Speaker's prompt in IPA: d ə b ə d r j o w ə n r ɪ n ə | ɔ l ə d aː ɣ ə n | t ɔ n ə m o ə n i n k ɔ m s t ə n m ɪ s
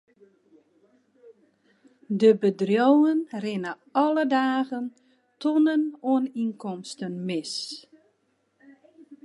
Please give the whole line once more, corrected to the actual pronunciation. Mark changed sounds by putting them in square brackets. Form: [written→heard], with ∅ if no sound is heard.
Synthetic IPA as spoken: d ə b ə d r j o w ə n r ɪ n ə | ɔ l ə d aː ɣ ə n | t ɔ n ə [m→n] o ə n i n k ɔ m s t ə n m ɪ s